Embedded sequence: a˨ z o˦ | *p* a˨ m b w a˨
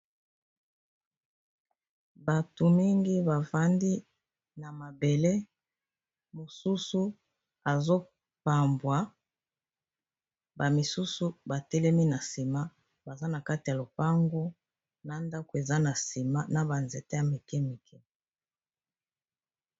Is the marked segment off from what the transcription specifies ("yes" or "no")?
no